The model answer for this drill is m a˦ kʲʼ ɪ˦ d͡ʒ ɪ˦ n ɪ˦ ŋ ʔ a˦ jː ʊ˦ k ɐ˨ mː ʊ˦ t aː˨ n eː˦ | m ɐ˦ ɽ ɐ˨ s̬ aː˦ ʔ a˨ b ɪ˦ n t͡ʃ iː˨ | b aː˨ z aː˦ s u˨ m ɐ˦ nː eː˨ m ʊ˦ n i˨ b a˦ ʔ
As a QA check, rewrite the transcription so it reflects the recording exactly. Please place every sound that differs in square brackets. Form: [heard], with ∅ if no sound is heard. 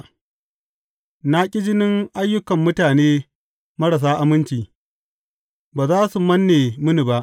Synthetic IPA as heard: [n] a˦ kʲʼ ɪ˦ d͡ʒ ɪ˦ n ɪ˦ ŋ ʔ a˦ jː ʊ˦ k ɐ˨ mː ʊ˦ t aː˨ n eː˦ | m ɐ˦ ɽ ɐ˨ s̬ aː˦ ʔ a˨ [m] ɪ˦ n t͡ʃ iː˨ | b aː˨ z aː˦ s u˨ m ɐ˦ nː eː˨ m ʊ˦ n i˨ b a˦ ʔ